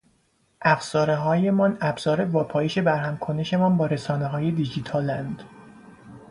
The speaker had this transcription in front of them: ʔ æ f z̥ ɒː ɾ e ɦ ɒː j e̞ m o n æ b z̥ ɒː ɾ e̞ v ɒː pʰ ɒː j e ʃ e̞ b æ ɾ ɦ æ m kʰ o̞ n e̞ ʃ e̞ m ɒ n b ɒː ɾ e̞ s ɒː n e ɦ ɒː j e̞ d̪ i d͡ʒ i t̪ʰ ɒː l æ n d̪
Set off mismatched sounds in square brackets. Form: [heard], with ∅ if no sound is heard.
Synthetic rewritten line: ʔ æ f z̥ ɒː ɾ e ɦ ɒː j e̞ m [ɒ] n æ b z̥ ɒː ɾ e̞ v ɒː pʰ ɒː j e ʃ e̞ b æ ɾ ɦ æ m kʰ o̞ n e̞ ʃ e̞ m ɒ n b ɒː ɾ e̞ s ɒː n e ɦ ɒː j e̞ d̪ i d͡ʒ i t̪ʰ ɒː l æ n d̪